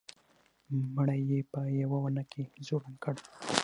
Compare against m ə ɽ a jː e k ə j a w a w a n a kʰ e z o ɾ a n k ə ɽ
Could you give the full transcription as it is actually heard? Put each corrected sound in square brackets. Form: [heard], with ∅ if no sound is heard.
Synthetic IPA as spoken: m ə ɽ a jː e [p] ə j a w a w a n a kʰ e z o ɾ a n k ə ɽ